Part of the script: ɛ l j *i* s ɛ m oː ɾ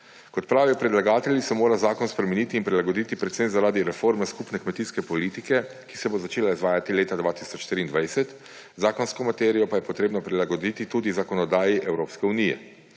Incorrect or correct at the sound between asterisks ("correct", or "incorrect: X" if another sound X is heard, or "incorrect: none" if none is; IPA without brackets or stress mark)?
correct